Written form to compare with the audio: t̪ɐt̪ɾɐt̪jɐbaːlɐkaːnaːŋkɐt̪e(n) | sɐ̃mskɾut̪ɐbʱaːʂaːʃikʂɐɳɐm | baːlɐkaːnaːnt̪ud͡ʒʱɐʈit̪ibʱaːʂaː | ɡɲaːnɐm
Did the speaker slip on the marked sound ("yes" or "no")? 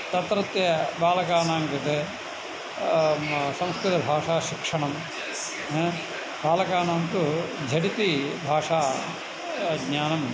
yes